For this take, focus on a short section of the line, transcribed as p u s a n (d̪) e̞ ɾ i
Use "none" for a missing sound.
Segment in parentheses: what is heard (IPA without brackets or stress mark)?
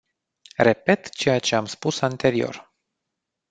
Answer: t̪